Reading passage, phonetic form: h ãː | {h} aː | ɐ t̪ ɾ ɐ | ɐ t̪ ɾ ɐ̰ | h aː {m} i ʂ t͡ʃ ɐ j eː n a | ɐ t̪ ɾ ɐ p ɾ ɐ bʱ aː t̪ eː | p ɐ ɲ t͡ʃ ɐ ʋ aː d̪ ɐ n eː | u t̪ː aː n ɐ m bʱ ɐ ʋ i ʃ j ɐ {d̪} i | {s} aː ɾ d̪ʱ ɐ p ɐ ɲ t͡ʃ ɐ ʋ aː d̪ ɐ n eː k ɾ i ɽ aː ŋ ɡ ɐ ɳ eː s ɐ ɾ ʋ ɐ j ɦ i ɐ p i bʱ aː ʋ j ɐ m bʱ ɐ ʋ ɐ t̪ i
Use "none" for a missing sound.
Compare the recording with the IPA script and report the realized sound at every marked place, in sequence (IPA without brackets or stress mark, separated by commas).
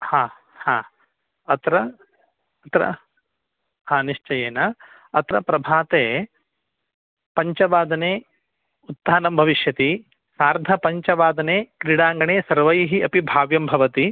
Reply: h, n, t̪, s